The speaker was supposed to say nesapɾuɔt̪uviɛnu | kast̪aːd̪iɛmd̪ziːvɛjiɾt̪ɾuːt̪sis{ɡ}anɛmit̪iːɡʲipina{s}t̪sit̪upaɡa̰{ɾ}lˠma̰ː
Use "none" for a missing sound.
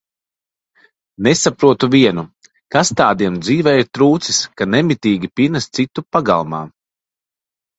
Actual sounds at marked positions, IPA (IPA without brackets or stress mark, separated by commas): k, s, none